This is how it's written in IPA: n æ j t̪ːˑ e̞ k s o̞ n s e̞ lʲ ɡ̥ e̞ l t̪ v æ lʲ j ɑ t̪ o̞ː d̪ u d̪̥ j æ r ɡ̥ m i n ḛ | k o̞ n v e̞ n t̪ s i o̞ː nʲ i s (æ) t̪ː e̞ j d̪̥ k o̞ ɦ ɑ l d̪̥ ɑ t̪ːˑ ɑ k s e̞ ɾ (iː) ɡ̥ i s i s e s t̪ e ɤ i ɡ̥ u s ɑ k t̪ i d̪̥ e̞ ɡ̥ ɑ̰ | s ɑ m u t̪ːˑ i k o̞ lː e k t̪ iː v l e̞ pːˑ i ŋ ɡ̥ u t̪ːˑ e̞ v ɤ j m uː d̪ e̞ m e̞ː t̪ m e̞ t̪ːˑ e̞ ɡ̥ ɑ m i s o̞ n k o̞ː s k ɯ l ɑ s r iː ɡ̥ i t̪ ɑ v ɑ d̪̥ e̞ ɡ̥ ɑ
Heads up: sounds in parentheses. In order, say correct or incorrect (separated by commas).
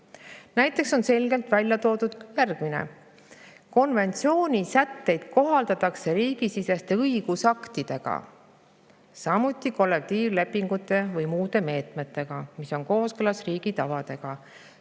correct, correct